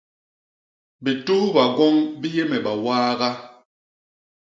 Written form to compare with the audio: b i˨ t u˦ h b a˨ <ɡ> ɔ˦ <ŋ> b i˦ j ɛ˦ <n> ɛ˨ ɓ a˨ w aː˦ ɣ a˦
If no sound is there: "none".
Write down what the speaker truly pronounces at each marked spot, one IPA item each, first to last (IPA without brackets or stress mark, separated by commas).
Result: ɡ, ŋ, m